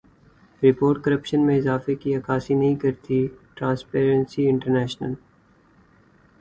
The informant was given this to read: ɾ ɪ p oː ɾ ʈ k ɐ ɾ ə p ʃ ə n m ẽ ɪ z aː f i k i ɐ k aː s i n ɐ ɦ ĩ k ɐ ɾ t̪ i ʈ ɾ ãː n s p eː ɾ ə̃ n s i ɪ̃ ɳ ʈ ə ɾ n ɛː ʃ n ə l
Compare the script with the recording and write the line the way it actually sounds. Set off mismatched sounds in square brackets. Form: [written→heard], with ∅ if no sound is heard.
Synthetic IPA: ɾ ɪ p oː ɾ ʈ k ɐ ɾ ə p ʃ ə n m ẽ ɪ z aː f [i→e] k i ɐ k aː s i n ɐ ɦ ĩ k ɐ ɾ t̪ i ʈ ɾ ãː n s p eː ɾ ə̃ n s i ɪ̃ ɳ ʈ ə ɾ n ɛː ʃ n ə l